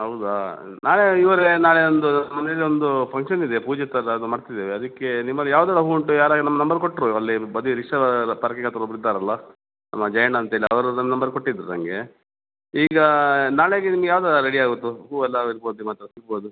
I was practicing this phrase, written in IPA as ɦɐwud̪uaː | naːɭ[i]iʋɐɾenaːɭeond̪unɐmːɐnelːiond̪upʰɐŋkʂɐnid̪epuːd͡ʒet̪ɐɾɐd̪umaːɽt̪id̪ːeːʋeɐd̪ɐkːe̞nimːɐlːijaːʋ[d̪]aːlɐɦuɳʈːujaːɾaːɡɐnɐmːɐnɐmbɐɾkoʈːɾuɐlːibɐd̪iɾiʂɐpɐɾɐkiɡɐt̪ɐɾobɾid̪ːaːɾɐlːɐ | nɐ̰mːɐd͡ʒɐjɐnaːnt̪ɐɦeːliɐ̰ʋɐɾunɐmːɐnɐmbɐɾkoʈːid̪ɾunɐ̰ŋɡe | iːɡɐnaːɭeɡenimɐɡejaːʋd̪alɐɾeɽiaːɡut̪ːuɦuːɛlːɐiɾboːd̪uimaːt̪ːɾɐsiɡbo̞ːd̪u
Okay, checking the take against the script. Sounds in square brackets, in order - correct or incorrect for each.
incorrect: e, correct

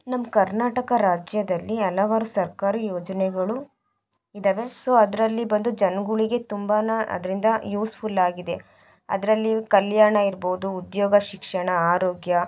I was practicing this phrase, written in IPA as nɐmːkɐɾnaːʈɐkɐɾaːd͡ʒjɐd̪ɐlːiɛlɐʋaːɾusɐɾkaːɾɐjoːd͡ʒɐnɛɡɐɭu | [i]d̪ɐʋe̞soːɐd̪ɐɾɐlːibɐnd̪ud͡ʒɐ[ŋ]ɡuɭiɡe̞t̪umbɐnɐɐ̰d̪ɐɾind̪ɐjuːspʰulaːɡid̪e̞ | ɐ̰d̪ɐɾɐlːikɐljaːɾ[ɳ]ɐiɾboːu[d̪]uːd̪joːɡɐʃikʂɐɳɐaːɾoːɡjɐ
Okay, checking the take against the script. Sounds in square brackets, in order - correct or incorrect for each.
correct, incorrect: n, correct, correct

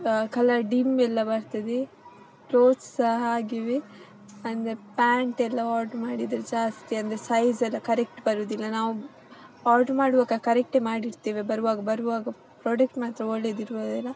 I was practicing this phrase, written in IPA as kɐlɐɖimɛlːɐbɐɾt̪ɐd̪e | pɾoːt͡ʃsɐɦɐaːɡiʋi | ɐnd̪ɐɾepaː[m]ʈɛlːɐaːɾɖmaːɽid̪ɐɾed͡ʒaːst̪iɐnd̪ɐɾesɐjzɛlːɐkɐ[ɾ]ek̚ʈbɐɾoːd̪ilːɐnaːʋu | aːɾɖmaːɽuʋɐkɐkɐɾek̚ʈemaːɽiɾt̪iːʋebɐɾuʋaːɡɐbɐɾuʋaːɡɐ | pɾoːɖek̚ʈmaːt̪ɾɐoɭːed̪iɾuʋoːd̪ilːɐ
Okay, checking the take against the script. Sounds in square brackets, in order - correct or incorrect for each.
incorrect: ɳ, correct

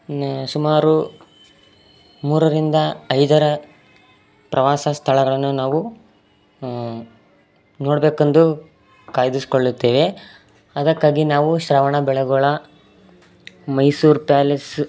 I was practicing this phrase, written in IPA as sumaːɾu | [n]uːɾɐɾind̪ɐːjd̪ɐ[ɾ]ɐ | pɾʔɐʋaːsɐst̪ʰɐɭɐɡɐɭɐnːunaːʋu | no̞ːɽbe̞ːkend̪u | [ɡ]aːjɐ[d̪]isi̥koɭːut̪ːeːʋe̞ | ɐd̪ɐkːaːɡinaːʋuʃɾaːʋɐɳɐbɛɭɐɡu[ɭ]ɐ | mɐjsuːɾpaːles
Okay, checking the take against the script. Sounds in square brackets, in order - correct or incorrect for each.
incorrect: m, correct, incorrect: k, correct, correct

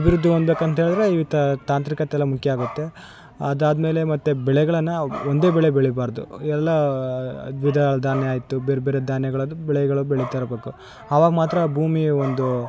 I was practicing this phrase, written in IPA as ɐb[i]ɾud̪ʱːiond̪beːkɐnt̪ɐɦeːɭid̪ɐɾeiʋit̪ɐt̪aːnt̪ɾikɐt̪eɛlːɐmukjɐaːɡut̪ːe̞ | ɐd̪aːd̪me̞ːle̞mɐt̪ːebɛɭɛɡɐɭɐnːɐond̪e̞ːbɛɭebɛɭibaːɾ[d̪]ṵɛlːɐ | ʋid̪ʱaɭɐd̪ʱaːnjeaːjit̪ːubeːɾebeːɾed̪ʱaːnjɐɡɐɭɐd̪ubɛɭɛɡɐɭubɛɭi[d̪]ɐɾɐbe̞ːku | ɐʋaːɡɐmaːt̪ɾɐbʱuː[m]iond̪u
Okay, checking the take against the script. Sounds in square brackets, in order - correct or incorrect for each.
correct, correct, incorrect: t̪, correct

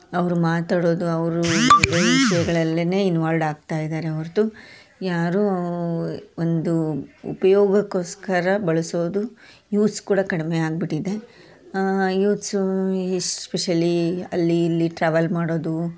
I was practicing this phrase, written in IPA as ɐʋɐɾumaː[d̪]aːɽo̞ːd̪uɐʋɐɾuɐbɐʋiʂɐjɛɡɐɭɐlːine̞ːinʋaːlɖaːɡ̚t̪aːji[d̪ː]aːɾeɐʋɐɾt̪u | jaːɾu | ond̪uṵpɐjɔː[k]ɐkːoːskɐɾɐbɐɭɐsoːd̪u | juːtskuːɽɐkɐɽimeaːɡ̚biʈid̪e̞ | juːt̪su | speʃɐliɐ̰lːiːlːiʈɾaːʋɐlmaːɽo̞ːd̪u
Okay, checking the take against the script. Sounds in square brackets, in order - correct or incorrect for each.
incorrect: t̪, incorrect: d̪, incorrect: ɡ

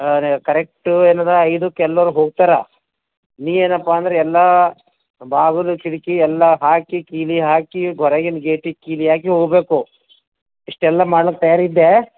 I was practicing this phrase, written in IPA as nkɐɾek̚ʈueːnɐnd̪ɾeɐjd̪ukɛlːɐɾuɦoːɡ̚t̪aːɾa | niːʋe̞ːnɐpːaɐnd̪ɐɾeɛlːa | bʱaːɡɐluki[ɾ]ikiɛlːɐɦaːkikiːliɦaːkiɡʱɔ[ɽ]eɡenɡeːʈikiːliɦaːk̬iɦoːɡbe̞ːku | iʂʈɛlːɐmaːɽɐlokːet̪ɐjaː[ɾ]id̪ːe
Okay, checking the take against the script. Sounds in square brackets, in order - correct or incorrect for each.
incorrect: ɽ, incorrect: ɾ, correct

